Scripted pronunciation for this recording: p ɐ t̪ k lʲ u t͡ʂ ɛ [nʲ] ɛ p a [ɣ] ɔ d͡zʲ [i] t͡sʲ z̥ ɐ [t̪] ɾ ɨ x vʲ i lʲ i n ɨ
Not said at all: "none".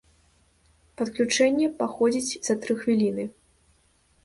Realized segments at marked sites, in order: nʲː, x, i, t̪

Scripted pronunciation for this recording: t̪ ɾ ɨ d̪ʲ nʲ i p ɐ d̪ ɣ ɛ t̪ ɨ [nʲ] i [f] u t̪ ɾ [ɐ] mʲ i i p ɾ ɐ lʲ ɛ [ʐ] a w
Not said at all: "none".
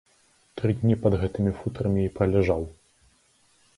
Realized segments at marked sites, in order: mʲ, f, ɐ, ʐ

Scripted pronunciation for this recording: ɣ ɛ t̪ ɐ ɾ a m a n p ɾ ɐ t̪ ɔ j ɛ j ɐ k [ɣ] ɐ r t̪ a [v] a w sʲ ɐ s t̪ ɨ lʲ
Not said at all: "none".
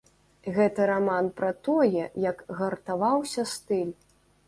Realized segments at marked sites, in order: ɣ, v

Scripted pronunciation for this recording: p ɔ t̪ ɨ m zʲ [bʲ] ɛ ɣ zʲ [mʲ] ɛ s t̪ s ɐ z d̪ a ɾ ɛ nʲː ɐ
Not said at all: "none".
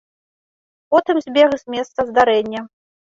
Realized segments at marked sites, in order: bʲ, mʲ

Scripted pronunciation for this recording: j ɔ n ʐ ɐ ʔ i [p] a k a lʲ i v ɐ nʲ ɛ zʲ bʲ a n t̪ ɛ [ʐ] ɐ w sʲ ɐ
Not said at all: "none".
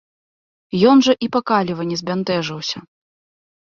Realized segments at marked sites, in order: p, ʐ

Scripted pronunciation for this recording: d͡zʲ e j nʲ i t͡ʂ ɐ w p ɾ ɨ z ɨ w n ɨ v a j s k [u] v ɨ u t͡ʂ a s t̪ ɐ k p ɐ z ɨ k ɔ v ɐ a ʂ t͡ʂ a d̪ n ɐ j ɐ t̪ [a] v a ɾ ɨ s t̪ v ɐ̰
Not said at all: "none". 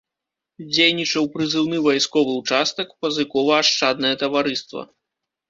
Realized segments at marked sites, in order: ɔ, ɐ

